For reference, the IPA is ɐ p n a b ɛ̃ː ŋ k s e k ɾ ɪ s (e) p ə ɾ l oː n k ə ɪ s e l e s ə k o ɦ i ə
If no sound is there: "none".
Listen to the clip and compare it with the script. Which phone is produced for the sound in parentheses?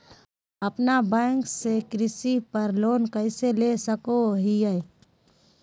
i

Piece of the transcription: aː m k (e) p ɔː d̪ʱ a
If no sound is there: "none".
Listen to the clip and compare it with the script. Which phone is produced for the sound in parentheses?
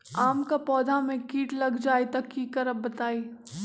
a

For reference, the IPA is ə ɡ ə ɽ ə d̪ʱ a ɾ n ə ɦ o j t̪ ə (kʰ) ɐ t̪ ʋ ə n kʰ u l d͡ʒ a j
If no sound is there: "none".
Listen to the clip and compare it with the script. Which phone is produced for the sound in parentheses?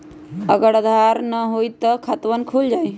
kʰ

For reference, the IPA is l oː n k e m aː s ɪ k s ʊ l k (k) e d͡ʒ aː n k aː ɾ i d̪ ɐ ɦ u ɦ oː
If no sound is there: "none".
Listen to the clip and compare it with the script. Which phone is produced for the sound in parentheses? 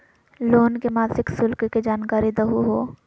k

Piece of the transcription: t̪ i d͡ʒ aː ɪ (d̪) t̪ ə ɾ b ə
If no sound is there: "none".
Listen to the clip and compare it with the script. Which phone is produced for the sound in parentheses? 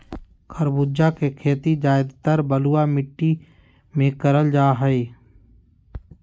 d̪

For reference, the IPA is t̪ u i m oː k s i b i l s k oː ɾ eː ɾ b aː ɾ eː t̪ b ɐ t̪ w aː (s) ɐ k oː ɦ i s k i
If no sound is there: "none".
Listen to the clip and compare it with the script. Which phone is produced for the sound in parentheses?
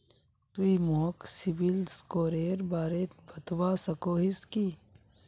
s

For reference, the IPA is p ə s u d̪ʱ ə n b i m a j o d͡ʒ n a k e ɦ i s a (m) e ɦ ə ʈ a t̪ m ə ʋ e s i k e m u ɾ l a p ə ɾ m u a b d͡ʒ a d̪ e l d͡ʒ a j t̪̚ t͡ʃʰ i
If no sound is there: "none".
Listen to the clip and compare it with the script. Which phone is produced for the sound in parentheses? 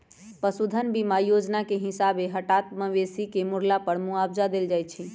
b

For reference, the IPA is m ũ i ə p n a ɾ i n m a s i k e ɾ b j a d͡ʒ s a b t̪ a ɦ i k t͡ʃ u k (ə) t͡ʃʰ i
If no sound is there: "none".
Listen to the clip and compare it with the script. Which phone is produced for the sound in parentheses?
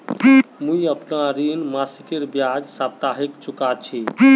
a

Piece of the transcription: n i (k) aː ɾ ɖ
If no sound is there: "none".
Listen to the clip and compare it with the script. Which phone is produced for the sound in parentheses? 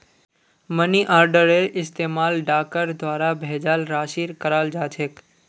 ʔ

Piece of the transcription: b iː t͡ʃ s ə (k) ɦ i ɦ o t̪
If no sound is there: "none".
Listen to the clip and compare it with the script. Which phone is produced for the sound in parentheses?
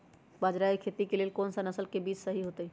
none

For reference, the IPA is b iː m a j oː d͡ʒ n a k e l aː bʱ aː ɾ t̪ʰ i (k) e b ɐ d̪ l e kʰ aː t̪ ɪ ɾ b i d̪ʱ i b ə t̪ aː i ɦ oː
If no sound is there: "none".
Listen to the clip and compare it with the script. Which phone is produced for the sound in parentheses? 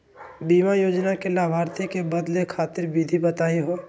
k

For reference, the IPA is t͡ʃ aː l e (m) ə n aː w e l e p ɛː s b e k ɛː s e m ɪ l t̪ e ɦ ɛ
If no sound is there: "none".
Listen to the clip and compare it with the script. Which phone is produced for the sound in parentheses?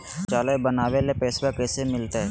b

